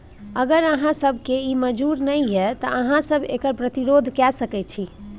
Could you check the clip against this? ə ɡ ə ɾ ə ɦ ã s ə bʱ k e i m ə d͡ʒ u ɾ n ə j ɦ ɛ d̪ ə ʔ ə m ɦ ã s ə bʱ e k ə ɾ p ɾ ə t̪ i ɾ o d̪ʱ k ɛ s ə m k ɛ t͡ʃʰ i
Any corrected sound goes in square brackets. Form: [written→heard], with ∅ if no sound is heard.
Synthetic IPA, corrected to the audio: ə ɡ ə ɾ ə ɦ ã s ə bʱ k e i m ə d͡ʒ u ɾ n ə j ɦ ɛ [d̪→t̪] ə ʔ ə [m→∅] ɦ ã s ə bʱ e k ə ɾ p ɾ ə t̪ i ɾ o d̪ʱ k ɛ s ə [m→∅] k ɛ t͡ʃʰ i